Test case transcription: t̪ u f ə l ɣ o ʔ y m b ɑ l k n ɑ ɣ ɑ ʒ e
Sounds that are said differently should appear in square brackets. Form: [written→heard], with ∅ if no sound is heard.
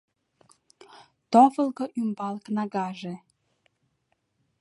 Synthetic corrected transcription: t̪ [u→o] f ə l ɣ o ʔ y m b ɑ l k n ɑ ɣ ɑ ʒ e